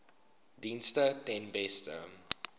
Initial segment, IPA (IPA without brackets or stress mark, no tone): d